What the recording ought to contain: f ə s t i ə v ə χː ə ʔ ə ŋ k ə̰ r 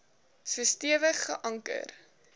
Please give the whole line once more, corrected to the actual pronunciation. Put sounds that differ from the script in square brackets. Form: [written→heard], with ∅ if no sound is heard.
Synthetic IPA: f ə s t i ə v ə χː ə ʔ [ə→ɐ] ŋ k ə̰ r

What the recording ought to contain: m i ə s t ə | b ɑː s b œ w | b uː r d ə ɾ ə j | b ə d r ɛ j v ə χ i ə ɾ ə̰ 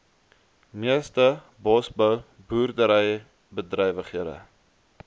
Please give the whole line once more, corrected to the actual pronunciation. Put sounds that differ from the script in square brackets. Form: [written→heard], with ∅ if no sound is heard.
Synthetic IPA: m i ə s t ə | b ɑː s b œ w | b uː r d ə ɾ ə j | b ə d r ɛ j v ə χ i ə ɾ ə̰

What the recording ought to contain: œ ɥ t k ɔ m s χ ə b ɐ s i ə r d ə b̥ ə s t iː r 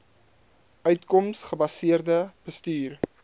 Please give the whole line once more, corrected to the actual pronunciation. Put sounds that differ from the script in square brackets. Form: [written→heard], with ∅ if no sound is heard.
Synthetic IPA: œ ɥ t k ɔ m s χ ə b ɐ s i ə r d ə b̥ ə s t [iː→yː] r

